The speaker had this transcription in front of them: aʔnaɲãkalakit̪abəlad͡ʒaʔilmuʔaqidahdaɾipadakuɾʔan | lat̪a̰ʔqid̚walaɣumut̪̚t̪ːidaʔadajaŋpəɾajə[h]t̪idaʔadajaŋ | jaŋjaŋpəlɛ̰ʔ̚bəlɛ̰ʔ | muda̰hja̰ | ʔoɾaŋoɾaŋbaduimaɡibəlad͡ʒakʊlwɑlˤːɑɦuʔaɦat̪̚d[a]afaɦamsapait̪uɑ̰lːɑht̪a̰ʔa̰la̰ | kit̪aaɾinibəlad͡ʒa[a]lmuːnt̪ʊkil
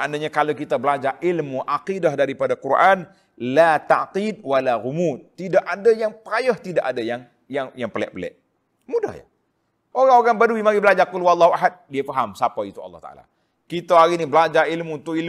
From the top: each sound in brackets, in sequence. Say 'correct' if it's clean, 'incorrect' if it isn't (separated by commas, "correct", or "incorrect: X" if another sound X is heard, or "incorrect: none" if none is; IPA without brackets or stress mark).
correct, incorrect: i, incorrect: i